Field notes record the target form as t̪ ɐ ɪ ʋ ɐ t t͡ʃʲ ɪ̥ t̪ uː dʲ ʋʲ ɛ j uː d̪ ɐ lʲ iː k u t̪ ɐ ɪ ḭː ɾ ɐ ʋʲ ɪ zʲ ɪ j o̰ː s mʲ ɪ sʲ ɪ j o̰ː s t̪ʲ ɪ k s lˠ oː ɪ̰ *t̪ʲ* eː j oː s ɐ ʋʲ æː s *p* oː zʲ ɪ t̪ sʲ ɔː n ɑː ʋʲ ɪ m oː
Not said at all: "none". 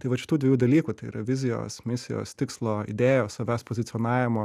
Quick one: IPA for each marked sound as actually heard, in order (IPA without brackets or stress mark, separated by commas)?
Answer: d̪ʲ, p